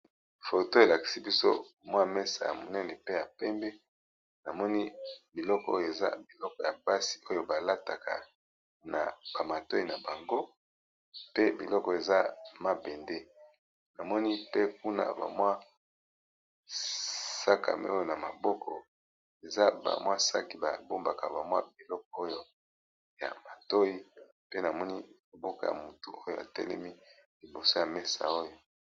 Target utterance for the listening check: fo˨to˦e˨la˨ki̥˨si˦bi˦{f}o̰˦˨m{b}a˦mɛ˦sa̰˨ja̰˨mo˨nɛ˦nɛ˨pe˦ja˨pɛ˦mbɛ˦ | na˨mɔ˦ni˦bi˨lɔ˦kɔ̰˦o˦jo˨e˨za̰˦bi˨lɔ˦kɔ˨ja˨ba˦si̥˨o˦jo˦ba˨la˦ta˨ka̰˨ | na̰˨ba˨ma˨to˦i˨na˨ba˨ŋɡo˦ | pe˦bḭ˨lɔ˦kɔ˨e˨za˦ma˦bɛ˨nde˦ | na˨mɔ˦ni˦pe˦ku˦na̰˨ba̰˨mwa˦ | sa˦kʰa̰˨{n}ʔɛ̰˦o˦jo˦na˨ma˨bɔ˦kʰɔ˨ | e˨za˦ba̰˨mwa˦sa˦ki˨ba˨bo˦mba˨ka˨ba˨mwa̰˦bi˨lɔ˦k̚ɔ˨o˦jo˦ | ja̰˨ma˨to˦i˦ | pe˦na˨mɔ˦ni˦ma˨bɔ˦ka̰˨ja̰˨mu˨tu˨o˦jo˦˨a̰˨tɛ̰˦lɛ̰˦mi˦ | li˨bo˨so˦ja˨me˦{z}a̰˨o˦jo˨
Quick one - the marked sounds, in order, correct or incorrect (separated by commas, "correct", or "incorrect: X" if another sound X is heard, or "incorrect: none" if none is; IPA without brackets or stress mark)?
incorrect: s, incorrect: w, incorrect: m, incorrect: s